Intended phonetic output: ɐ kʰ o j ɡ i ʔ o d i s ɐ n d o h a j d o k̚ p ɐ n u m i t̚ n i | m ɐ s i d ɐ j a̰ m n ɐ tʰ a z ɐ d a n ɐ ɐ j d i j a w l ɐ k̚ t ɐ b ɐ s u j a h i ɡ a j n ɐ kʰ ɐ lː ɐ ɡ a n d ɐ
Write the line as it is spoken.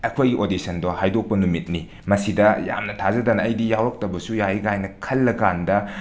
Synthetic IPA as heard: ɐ kʰ o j ɡ i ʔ o d i s ɐ n d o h a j d o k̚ p ɐ n u m i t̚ n i | m ɐ s i d ɐ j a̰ m n ɐ tʰ a z ɐ d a n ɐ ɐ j d i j a w ɾ ɐ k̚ t ɐ b ɐ s u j a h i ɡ a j n ɐ kʰ ɐ lː ɐ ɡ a n d ɐ

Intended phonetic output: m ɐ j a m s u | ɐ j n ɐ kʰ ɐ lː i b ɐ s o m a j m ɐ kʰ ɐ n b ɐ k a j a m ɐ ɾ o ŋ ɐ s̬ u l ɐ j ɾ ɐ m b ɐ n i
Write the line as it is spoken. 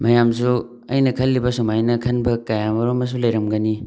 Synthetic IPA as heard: m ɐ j a m s u | ɐ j n ɐ kʰ ɐ lː i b ɐ s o m a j n ɐ kʰ ɐ n b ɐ k a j a m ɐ ɾ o m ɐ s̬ u l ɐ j ɾ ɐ m ɡ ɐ n i

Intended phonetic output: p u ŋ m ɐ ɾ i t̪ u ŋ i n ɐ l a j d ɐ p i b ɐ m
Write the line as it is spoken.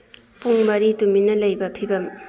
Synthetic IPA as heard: p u ŋ m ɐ ɾ i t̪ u m i n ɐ l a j b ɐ pʰ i b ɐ m

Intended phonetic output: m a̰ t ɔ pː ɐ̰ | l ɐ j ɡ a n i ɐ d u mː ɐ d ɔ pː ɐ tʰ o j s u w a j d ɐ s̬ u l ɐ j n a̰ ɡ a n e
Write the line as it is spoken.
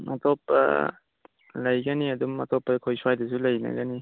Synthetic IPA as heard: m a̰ t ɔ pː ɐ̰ | l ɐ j ɡ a n i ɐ d u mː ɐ t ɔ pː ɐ kʰ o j s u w a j d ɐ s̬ u l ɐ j n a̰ ɡ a n i

